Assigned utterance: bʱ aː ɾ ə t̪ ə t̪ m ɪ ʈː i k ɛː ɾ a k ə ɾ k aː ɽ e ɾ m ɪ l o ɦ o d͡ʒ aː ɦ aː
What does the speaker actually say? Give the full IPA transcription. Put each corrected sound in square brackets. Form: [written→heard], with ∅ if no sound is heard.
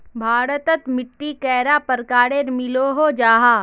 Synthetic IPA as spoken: bʱ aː ɾ ə t̪ ə t̪ m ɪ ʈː i k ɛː ɾ a [k→p] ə ɾ k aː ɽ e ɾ m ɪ l o ɦ o d͡ʒ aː ɦ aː